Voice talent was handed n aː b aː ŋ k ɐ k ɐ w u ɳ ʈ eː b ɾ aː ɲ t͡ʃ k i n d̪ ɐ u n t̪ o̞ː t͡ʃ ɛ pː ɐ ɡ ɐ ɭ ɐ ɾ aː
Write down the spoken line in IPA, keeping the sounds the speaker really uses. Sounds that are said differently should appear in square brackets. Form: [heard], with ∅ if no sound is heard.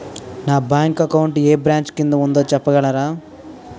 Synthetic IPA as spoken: n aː b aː ŋ k ɐ k ɐ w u ɳ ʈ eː b ɾ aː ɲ t͡ʃ k i n d̪ ɐ u n [d̪] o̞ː t͡ʃ ɛ pː ɐ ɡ ɐ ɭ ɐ ɾ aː